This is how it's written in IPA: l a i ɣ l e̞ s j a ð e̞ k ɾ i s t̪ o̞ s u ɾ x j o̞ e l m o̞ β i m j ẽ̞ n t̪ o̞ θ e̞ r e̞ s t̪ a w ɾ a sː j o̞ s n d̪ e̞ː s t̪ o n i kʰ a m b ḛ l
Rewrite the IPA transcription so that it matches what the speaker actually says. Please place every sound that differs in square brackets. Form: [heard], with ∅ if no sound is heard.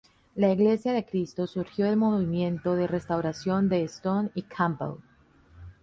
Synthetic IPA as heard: l a i ɣ l e̞ s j a ð e̞ k ɾ i s t̪ o̞ s u ɾ x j o̞ e l m o̞ β i m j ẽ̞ n t̪ o̞ [ð] e̞ r e̞ s t̪ a w ɾ a [s] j o̞ [∅] n d̪ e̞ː s t̪ o n i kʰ a m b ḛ l